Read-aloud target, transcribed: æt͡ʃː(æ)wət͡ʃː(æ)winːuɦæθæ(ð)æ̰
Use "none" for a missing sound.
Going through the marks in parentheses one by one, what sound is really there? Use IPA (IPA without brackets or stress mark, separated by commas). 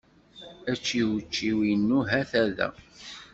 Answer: i, i, ð